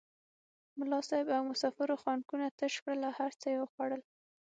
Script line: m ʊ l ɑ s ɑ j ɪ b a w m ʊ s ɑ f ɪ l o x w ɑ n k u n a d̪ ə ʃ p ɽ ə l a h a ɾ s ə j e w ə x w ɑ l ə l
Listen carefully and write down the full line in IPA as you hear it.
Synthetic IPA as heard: m ʊ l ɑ s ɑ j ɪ b a w m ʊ s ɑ f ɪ ɾ o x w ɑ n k u n a t̪ ə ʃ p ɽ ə l a h a ɾ t͡s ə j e w ə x w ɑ ɽ ə l